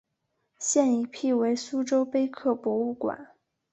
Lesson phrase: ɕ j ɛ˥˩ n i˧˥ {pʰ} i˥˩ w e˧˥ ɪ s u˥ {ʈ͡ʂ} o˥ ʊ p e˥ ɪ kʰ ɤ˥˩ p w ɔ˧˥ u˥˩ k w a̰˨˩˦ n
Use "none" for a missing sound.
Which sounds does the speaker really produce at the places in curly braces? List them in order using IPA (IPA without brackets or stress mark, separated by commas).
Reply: pʰ, ʈ͡ʂ